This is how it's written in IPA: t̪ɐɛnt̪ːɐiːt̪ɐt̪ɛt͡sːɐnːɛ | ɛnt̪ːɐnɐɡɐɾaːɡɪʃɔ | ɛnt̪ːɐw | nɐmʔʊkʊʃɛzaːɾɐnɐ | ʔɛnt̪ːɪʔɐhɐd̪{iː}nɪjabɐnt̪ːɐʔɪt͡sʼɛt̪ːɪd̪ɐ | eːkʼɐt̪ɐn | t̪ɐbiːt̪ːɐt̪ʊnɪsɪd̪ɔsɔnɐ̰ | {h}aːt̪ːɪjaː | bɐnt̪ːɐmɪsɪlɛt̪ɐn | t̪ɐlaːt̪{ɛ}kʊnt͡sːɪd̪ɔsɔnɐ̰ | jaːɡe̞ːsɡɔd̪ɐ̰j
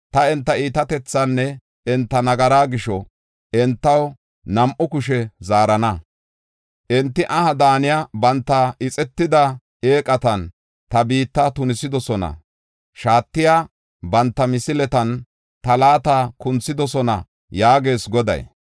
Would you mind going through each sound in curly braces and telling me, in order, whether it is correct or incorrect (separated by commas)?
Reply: incorrect, incorrect, incorrect